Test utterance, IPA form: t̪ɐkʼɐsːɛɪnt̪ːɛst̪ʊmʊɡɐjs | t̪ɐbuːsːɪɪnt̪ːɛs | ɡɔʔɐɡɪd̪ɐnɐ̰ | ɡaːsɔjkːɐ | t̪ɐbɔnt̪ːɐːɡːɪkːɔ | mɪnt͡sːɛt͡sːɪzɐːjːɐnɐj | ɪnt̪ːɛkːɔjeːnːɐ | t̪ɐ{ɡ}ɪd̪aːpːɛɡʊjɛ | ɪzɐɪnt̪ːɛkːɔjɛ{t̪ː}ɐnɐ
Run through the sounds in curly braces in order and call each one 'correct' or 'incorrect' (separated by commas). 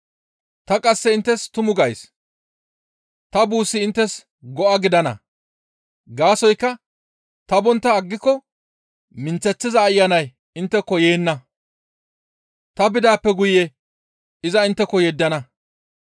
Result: incorrect, incorrect